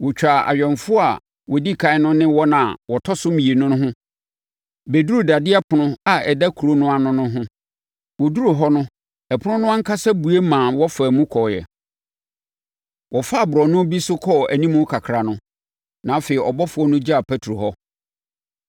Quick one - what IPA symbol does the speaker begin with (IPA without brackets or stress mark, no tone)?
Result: w